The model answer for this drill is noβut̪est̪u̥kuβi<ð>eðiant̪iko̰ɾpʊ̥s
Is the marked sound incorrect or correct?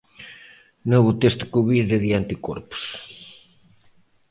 correct